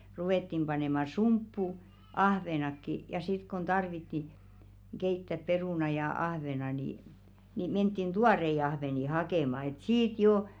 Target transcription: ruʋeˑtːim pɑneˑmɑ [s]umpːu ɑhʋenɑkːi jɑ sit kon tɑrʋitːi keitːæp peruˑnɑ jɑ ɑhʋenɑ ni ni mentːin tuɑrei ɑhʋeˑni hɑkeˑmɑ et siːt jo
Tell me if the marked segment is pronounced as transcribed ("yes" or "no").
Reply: yes